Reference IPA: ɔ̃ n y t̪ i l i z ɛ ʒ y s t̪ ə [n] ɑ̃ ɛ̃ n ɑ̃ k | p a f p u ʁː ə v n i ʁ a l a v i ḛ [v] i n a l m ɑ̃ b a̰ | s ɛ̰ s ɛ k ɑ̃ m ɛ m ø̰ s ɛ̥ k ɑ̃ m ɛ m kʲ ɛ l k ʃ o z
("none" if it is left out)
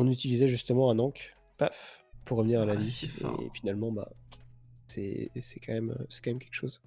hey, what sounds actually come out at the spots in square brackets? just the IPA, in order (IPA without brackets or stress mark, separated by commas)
m, f